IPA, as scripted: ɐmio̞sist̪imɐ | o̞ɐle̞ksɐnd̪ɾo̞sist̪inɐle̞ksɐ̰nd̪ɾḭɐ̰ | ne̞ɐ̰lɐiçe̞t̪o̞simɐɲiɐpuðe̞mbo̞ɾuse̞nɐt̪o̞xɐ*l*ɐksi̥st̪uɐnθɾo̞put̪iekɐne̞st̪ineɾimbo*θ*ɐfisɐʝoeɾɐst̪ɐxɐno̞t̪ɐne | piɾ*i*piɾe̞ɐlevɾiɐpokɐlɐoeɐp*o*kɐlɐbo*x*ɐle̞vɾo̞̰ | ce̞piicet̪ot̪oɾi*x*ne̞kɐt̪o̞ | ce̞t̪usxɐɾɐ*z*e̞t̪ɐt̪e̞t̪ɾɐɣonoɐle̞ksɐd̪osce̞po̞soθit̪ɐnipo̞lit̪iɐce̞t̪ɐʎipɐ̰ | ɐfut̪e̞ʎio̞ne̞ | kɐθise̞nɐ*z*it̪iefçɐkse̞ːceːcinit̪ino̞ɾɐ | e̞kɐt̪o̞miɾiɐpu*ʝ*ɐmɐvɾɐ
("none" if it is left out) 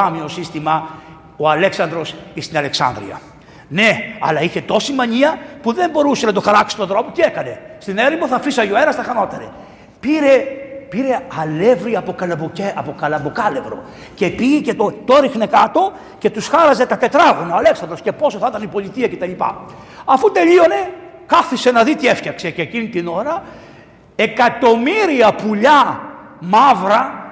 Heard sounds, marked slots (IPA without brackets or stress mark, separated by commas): ɾ, θ, e, o, k, x, z, ð, ʎ